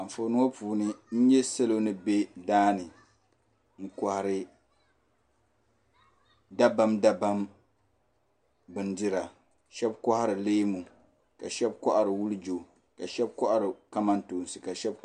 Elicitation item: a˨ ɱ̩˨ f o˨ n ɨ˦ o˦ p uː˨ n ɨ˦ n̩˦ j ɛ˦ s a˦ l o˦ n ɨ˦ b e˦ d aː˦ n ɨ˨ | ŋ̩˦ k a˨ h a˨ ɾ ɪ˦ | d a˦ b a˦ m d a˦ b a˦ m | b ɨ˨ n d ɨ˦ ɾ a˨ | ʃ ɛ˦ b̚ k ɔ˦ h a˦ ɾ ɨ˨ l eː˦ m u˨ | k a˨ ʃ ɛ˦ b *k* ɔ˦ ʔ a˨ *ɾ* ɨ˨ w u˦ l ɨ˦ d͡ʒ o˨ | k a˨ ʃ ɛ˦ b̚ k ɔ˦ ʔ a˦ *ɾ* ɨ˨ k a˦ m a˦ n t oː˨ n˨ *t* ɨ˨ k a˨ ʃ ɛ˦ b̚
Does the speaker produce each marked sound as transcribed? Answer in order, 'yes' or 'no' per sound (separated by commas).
yes, yes, yes, no